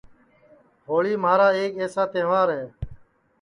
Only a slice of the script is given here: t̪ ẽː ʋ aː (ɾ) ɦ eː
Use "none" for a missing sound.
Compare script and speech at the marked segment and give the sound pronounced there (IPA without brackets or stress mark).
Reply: ɾ